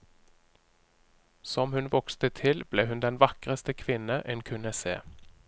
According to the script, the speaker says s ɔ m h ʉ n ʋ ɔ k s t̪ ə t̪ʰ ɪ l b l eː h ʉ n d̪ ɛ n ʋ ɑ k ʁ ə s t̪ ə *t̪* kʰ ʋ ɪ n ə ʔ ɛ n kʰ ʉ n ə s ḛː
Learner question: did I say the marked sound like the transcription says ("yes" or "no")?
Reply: no